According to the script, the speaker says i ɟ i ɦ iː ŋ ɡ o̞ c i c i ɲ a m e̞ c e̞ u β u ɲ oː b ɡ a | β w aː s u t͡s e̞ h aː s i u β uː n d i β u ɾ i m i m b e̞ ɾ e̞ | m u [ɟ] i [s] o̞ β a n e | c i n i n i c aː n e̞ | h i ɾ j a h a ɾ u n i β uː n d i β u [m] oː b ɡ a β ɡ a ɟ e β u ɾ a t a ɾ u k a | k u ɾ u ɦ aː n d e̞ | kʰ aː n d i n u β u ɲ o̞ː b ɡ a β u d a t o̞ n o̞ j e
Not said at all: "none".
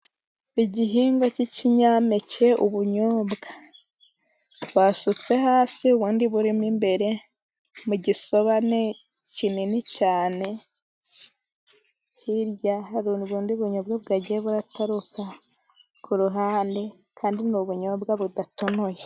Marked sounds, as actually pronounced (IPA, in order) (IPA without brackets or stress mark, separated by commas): ɟ, s, ɲ